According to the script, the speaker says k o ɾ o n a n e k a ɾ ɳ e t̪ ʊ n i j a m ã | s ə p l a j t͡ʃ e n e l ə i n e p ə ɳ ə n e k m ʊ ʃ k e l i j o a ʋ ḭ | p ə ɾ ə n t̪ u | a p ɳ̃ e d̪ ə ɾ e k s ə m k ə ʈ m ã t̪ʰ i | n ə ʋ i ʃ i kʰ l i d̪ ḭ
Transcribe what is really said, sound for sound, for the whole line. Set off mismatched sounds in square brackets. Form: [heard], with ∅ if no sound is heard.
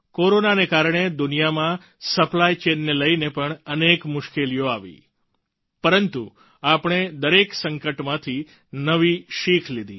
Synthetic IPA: k o ɾ o n a n e k a ɾ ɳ e [d̪] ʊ n i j a m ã | s ə p l a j t͡ʃ e [nː] e l ə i n e p ə ɳ ə n e k m ʊ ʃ k e l i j o a ʋ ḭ | p ə ɾ ə n t̪ u | a p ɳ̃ e d̪ ə ɾ e k s ə [ŋ] k ə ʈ m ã t̪ʰ i | n ə ʋ i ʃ i kʰ l i d̪ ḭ